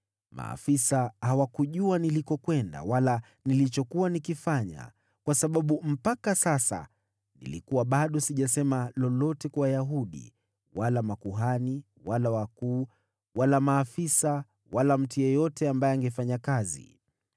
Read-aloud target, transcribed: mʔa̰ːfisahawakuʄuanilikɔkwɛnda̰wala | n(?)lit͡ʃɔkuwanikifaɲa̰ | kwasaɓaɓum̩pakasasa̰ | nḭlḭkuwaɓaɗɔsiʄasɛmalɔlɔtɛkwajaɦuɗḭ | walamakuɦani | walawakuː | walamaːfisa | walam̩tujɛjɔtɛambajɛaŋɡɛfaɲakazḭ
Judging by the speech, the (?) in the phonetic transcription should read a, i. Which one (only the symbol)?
i